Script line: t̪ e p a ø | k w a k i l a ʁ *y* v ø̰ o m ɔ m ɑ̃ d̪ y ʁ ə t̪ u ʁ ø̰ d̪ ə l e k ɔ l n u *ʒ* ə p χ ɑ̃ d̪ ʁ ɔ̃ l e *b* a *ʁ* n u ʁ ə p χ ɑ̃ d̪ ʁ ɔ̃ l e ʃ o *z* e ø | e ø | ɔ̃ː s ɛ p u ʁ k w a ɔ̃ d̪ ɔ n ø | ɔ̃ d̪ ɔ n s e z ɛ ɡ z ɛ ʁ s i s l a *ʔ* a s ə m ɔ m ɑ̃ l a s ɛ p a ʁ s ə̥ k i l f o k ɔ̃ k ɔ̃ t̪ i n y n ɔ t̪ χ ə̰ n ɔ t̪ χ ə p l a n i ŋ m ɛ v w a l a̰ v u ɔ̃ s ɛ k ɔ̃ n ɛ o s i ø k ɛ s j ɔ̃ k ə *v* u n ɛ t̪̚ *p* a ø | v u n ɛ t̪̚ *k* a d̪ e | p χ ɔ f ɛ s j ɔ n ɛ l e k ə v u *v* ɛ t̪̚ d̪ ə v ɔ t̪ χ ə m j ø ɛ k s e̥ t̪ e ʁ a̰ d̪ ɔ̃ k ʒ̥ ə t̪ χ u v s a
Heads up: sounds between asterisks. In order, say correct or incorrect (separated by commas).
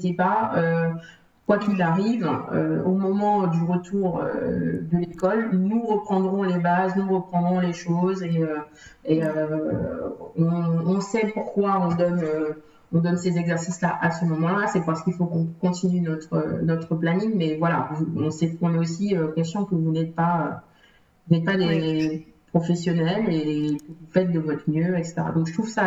incorrect, incorrect, correct, incorrect, correct, correct, correct, correct, incorrect, incorrect